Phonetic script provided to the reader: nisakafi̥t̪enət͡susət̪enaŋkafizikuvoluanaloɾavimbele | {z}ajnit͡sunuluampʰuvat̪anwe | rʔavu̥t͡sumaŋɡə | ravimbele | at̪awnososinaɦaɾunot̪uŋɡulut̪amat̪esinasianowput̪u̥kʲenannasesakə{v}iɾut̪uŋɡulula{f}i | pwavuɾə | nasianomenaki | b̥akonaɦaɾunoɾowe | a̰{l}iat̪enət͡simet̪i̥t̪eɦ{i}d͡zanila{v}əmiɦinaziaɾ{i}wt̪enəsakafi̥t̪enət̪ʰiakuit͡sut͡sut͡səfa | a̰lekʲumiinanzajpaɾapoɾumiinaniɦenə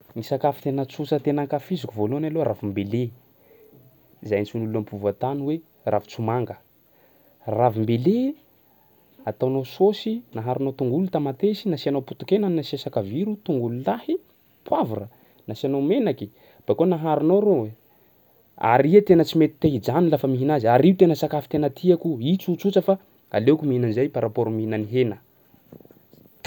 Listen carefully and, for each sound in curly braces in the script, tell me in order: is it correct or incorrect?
correct, correct, incorrect: h, incorrect: ɾ, correct, incorrect: f, correct

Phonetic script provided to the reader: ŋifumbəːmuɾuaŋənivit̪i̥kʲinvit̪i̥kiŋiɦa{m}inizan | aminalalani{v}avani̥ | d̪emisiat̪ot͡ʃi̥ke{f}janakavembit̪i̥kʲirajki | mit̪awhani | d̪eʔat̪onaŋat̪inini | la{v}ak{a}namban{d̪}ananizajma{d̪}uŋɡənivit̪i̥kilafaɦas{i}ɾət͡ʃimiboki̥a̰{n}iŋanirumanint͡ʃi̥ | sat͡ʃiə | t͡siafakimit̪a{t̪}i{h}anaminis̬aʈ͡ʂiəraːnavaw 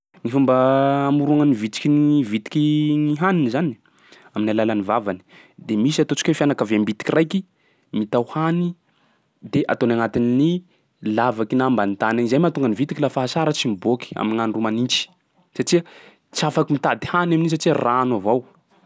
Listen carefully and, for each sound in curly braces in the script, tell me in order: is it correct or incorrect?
incorrect: n, correct, correct, correct, incorrect: i, incorrect: t̪, incorrect: t̪, incorrect: a, incorrect: m, incorrect: d̪, correct

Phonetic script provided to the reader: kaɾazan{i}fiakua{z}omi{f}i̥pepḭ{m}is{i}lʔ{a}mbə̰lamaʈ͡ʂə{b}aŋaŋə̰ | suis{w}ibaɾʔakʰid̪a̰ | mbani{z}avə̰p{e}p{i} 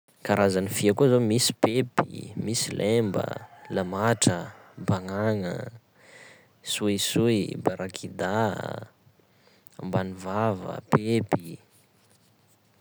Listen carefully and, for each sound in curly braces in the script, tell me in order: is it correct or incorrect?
correct, correct, incorrect: s, correct, correct, incorrect: e, correct, incorrect: u, incorrect: v, correct, correct

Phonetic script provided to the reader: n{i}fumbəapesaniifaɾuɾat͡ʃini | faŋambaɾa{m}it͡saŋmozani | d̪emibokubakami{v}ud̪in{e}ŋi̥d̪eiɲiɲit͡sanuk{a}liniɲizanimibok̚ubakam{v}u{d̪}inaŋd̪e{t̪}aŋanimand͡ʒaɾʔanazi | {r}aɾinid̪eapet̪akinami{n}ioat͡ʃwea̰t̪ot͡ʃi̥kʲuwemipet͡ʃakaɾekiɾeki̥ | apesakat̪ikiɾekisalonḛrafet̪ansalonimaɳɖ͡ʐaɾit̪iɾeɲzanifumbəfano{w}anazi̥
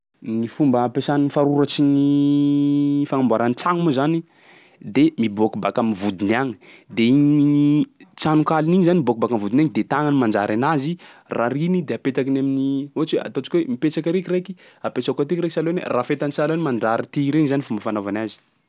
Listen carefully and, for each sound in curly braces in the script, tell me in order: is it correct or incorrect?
correct, incorrect: n, correct, incorrect: a, correct, correct, correct, correct, correct, correct, incorrect: v

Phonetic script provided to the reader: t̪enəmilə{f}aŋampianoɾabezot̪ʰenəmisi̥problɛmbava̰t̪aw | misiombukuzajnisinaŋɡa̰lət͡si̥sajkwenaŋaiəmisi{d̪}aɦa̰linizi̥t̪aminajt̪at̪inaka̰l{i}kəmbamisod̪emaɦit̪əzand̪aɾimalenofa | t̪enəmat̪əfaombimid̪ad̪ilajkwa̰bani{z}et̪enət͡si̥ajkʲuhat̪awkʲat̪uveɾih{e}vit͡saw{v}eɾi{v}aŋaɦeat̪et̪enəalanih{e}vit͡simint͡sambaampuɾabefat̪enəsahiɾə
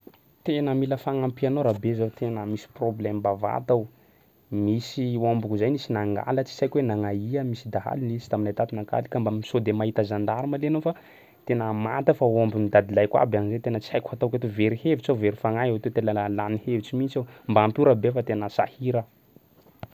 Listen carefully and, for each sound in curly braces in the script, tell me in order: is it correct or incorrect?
correct, correct, correct, correct, correct, correct, incorrect: f, correct

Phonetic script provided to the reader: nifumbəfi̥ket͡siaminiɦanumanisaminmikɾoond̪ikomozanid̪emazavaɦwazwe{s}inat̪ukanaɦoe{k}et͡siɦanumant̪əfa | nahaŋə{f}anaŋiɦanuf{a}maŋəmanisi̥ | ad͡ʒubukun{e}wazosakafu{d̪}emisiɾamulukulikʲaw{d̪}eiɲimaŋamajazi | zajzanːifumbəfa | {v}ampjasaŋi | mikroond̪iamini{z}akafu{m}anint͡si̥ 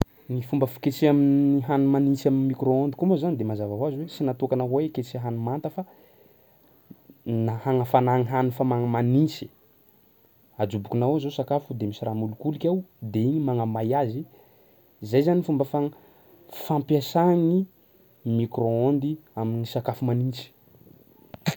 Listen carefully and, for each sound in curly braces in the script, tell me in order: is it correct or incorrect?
correct, correct, correct, correct, incorrect: a, correct, correct, incorrect: f, incorrect: s, correct

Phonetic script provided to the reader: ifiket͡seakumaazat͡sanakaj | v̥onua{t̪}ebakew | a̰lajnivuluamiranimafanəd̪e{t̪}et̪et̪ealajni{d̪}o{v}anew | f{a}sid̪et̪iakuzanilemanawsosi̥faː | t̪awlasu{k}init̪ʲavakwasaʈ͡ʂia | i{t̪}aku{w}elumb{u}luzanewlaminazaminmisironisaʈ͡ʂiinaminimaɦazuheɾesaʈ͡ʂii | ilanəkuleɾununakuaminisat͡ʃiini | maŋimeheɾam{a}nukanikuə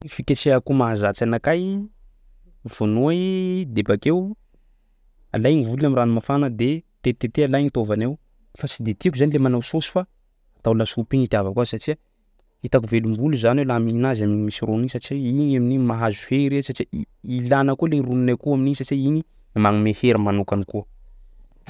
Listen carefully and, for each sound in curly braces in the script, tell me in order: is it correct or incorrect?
incorrect: d̪, correct, incorrect: t̪, correct, correct, incorrect: p, correct, incorrect: v, correct, correct

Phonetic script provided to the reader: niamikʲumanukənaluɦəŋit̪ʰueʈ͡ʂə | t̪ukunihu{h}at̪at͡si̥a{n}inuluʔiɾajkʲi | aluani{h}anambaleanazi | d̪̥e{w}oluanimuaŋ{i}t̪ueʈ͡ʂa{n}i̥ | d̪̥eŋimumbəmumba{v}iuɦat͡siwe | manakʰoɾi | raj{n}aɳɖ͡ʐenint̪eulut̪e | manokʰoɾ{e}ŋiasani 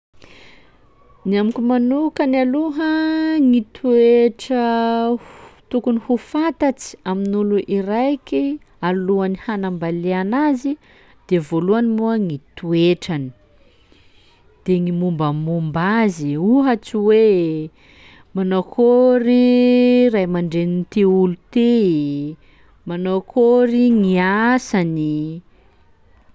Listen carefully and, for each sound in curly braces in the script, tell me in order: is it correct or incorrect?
incorrect: f, incorrect: m, correct, incorrect: v, correct, correct, incorrect: z, incorrect: m, incorrect: i

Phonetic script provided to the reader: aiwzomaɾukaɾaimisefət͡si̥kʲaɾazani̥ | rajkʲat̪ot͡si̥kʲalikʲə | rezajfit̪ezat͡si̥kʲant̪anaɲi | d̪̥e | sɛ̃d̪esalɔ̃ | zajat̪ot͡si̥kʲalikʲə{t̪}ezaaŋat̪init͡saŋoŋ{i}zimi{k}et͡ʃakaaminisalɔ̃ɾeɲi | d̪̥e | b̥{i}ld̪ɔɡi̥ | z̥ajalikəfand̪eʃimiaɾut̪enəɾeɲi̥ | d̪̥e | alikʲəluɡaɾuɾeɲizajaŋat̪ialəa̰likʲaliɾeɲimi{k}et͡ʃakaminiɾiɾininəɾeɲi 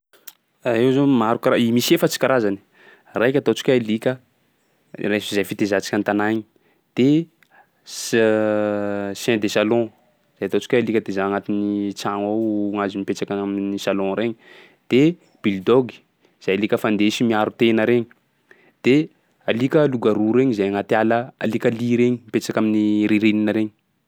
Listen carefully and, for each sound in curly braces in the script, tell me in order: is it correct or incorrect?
incorrect: d̪, incorrect: a, incorrect: p, correct, incorrect: p

